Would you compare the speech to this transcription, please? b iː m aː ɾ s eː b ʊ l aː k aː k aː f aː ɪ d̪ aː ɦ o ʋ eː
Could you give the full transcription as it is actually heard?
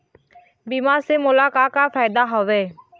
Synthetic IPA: b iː m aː ɾ s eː m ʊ l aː k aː k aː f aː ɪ d̪ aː ɦ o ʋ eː